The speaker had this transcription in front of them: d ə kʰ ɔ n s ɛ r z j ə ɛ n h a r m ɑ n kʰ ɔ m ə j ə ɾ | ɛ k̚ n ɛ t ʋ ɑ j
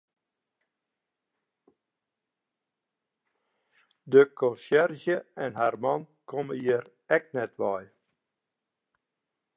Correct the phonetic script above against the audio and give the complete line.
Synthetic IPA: d ə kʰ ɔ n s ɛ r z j ə ɛ n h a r m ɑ n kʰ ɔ m ə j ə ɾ | ɛ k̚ n ɛ t ʋ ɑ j

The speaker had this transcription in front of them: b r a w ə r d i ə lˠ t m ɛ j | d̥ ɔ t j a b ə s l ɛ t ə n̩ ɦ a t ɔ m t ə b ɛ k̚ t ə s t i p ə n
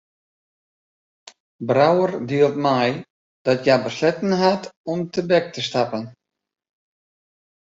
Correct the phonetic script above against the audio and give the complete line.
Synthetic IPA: b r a w ə r d i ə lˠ t m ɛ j | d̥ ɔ t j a b ə s l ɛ t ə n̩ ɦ a t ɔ m t ə b ɛ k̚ t ə s t a p ə n

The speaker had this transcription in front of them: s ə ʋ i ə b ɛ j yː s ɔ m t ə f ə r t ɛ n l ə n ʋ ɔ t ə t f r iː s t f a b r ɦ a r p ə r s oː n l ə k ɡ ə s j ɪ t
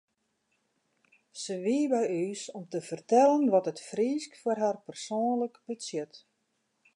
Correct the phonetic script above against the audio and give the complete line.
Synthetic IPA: s ə ʋ i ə b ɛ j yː s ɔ m t ə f ə r t ɛ l ə n ʋ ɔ t ə t f r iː s k f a r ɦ a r p ə r s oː n l ə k b ə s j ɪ t

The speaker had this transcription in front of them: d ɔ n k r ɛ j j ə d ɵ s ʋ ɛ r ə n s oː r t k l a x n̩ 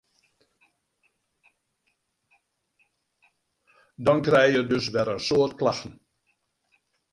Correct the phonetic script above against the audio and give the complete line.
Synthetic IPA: d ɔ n k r ɛ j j ə d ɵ s ʋ ɛ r ə n s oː r t k l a x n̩

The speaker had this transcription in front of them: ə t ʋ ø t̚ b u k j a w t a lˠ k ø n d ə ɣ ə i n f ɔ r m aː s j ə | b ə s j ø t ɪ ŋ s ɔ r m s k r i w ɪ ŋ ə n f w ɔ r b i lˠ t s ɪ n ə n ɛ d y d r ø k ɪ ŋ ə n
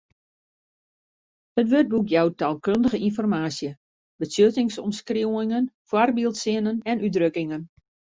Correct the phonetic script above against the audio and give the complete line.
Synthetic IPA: ə t ʋ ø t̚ b u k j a w t a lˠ k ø n d ə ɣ ə i n f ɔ r m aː s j ə | b ə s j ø t ɪ ŋ s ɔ m s k r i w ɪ ŋ ə n f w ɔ r b i lˠ t s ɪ n ə n ɛ n y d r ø k ɪ ŋ ə n

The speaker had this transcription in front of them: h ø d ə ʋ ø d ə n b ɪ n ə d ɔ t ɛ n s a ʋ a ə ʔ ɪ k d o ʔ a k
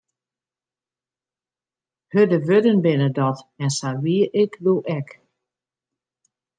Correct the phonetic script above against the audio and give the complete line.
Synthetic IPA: h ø d ə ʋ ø d ə n b ɪ n ə d ɔ t ɛ n s a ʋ i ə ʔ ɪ k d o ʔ ɛ k

